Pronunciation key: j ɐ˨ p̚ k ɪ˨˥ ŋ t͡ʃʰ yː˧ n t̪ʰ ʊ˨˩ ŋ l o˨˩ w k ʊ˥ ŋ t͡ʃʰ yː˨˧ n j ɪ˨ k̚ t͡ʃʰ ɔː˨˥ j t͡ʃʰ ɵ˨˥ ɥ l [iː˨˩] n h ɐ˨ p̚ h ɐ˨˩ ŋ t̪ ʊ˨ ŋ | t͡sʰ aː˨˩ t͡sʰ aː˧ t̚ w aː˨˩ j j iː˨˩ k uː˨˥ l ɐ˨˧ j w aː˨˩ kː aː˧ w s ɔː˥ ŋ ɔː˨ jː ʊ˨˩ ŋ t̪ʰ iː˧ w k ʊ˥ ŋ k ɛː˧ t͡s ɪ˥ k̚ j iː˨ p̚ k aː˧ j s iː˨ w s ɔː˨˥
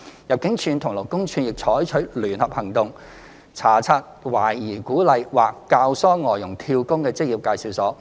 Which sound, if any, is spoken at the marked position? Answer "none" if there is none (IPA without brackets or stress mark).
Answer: yː˨˩